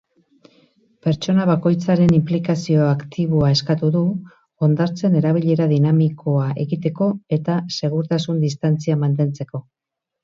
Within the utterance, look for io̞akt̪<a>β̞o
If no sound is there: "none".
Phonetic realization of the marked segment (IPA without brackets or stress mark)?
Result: i